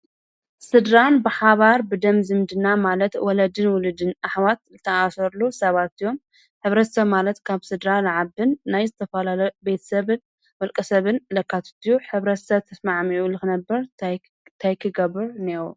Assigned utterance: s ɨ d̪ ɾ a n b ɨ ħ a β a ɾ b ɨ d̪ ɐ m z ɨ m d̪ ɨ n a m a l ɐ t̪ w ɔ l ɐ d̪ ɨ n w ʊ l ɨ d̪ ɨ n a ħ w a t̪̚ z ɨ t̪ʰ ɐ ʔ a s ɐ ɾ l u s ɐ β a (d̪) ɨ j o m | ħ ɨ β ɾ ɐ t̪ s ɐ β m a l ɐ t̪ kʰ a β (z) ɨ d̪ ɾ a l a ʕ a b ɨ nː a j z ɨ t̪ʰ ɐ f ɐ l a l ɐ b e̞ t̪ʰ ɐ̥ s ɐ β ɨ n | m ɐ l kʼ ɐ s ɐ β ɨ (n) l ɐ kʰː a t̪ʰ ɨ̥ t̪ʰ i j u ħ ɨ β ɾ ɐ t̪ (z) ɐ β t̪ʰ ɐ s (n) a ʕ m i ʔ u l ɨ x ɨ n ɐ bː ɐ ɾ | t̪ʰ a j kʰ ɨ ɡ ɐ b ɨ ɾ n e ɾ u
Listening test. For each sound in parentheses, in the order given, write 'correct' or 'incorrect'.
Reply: incorrect: t̪, incorrect: s, correct, incorrect: s, incorrect: m

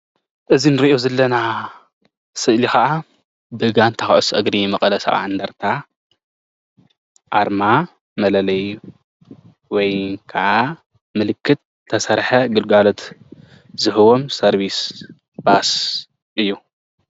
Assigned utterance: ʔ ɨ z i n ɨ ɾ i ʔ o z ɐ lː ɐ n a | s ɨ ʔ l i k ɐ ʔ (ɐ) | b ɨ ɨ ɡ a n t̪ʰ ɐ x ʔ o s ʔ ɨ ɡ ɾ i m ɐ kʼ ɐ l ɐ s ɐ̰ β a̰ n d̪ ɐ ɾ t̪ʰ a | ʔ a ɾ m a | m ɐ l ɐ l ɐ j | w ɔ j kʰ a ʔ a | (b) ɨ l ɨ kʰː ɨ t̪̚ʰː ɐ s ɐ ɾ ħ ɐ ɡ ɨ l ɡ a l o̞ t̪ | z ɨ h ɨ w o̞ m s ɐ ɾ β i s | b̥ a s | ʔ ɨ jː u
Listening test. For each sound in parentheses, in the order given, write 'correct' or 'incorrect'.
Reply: incorrect: a, incorrect: m

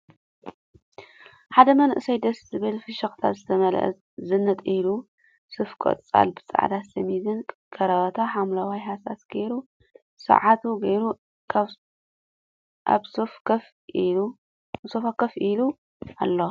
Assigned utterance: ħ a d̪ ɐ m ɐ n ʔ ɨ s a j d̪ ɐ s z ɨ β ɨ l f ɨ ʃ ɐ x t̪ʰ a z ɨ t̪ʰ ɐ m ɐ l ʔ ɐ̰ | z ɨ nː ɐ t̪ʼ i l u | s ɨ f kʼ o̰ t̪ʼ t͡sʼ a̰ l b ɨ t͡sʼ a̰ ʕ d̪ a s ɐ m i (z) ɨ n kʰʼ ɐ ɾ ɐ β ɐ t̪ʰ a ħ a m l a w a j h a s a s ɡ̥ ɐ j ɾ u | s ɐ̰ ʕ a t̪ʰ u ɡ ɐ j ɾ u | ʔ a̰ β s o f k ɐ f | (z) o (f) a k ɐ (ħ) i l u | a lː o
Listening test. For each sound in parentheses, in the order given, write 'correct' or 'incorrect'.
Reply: correct, incorrect: s, correct, incorrect: f

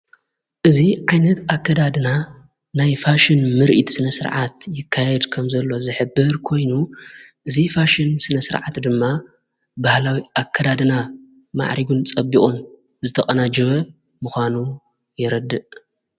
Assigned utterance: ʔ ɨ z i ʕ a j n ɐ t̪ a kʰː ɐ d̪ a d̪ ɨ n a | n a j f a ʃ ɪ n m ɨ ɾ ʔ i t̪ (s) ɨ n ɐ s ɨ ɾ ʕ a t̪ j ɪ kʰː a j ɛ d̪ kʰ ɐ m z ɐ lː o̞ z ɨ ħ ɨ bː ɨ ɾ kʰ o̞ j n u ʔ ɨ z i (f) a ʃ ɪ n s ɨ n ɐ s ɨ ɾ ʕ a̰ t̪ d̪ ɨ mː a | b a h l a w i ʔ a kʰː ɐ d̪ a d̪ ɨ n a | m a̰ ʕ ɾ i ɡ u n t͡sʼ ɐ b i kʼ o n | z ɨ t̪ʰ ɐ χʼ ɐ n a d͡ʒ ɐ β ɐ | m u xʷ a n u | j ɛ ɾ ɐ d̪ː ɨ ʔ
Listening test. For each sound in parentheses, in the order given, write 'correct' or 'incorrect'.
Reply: correct, correct

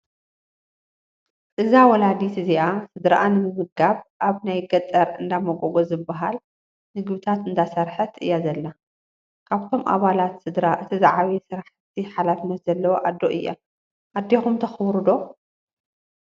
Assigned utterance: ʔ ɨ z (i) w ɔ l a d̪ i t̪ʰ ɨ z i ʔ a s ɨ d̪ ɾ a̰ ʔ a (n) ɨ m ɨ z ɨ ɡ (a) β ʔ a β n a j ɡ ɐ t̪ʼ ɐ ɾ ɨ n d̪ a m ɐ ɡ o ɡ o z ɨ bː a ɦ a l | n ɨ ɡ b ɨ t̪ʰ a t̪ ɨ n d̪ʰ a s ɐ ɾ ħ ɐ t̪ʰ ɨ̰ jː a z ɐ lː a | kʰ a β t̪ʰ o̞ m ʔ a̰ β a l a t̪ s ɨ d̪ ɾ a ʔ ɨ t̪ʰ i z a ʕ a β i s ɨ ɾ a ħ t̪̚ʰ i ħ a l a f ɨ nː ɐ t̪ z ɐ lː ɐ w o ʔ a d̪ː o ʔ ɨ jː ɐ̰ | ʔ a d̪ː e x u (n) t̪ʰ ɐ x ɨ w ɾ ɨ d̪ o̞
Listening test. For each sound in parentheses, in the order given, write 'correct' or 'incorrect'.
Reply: incorrect: a, correct, correct, incorrect: m

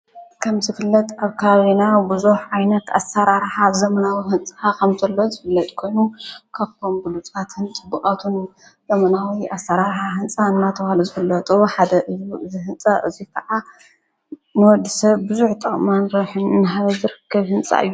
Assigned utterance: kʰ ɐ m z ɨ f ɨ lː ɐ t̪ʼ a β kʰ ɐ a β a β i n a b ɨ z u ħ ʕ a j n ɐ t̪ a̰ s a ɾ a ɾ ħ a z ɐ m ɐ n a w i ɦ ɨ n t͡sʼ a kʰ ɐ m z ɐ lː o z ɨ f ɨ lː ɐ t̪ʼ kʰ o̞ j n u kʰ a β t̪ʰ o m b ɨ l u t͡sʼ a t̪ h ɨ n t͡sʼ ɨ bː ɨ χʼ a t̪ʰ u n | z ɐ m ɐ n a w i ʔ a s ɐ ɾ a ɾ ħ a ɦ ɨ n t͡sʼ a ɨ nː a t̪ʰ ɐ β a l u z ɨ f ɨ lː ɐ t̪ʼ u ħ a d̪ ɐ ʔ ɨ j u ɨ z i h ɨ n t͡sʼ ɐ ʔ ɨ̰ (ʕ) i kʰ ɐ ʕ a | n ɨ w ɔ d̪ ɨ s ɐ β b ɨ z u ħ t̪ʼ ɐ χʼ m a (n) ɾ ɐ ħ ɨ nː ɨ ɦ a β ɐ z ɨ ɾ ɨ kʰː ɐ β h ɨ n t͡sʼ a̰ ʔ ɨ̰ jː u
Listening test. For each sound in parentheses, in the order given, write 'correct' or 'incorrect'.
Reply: incorrect: z, correct

